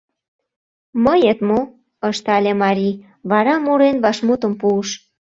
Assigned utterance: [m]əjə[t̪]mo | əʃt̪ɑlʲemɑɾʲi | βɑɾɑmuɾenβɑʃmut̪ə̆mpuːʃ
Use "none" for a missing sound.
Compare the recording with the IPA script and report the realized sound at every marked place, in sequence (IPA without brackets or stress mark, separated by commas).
m, t̪